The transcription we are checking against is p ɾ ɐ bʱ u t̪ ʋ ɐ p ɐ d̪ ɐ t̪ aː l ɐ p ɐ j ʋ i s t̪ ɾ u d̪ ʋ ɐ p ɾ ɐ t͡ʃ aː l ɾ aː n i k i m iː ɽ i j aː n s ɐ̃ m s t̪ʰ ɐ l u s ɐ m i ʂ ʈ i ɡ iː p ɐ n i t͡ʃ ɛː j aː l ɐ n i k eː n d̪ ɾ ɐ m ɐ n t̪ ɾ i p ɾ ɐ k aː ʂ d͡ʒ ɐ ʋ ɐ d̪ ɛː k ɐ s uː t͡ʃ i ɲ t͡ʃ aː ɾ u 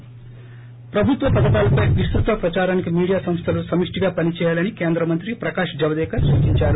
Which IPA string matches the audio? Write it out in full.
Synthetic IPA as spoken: p ɾ ɐ bʱ u t̪ ʋ ɐ p ɐ d̪ ɐ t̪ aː l ɐ p ɐ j ʋ i s t̪ ɾ u t̪ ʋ ɐ p ɾ ɐ t͡ʃ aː ɾ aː n i k i m iː ɽ i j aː s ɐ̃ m s t̪ʰ ɐ l u s ɐ m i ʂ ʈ i ɡ aː p ɐ n i t͡ʃ ɛː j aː l ɐ n i k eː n d̪ ɾ ɐ m ɐ n t̪ ɾ i p ɾ ɐ k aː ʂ d͡ʒ ɐ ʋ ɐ d̪ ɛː k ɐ s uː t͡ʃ i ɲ t͡ʃ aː ɾ u